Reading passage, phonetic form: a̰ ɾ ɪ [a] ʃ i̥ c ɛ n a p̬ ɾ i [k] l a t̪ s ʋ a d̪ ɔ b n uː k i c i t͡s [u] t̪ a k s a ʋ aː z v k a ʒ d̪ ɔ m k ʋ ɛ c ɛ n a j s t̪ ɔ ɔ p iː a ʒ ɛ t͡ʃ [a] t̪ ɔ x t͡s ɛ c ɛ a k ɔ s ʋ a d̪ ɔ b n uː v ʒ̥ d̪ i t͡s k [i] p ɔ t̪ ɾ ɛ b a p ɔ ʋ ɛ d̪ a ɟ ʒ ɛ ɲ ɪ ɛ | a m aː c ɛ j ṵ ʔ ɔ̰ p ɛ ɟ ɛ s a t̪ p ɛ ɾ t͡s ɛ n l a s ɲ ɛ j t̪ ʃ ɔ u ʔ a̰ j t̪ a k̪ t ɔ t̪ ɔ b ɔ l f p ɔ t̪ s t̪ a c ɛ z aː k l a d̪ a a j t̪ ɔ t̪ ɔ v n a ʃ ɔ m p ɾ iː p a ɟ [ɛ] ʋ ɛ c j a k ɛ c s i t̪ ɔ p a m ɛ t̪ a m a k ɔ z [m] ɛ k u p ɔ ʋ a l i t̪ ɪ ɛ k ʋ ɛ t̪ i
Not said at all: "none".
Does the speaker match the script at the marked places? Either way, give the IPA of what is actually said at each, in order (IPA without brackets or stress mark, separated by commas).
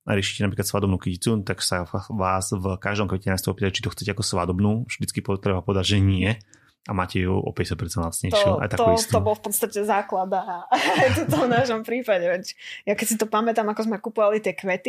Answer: ɛ, k, u, i, i, ɛ, m